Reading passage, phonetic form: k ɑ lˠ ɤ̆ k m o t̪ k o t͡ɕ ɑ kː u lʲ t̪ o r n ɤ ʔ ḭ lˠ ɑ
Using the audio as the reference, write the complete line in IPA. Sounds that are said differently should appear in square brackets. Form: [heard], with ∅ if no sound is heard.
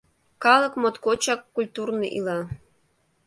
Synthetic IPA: k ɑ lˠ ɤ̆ k m o t̪ k o t͡ɕ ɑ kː u lʲ t̪ [u] r n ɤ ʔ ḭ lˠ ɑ

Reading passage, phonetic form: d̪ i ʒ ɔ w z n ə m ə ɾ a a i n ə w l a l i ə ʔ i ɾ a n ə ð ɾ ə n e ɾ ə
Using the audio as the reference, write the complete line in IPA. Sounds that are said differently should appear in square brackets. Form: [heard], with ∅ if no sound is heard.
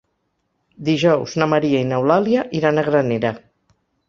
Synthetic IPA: d̪ i ʒ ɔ w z n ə m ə ɾ [i] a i n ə w l a l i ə ʔ i ɾ a n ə [ɣ] ɾ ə n e ɾ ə

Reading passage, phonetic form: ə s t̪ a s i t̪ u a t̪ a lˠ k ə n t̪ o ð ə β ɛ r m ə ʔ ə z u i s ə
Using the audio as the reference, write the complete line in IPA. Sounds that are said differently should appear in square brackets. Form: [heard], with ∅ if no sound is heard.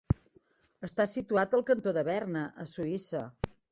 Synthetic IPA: ə s t̪ a s i t̪ u a t̪ [ə] lˠ k ə n t̪ o ð ə β ɛ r [n] ə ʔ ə [s] u i s ə

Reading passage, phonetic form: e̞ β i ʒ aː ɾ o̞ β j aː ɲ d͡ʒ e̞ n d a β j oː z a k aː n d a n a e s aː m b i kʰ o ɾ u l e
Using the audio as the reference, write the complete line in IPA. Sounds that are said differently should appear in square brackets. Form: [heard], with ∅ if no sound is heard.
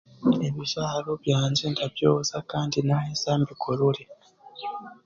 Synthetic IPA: e̞ β i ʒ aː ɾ o̞ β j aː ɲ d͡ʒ e̞ n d a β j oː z a k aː n d [i] n a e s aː m b i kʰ o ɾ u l e

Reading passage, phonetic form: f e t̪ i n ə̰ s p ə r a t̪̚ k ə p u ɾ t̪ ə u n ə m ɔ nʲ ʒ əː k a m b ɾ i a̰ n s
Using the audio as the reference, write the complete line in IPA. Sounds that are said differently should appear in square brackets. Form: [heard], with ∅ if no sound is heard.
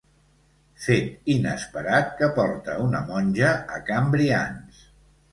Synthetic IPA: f e t̪ i n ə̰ s p ə [ɾ] a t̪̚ k ə p [ɔ] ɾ t̪ ə u n ə m ɔ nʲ ʒ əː k a m b ɾ i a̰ n s

